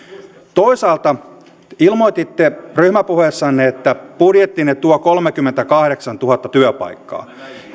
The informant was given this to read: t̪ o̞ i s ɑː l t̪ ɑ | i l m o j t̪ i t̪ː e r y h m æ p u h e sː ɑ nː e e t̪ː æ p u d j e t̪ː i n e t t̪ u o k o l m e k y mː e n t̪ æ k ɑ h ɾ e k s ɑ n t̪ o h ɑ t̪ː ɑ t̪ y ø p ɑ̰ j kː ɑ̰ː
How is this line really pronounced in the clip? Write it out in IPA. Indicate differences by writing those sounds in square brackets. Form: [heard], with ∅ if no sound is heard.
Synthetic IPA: t̪ o̞ i s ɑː l t̪ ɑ | i l m o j t̪ i t̪ː e r y h m æ p u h e sː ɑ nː e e t̪ː æ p u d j e t̪ː i n e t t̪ u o k o l m e k y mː e n t̪ æ k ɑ h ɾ e k s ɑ n t̪ [u] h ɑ t̪ː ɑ t̪ y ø p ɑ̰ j kː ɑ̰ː